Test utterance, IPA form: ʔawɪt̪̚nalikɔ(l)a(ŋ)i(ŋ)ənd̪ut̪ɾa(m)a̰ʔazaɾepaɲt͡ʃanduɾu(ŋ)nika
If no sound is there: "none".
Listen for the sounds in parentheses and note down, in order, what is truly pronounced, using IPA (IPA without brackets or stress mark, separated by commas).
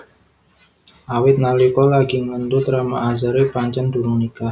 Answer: l, ɡ, ŋ, m, ŋ